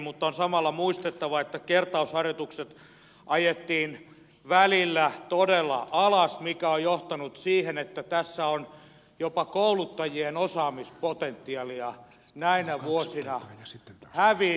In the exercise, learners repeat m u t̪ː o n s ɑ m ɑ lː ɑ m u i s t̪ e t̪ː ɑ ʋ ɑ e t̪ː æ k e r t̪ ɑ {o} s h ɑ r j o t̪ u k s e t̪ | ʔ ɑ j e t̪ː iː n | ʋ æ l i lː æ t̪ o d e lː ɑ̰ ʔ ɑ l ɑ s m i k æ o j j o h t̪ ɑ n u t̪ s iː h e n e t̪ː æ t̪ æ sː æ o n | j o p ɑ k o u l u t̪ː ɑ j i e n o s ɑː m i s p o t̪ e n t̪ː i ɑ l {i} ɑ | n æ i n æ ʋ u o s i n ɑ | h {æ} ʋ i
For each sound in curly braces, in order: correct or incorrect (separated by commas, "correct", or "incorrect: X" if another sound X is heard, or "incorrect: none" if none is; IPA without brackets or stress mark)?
incorrect: u, correct, correct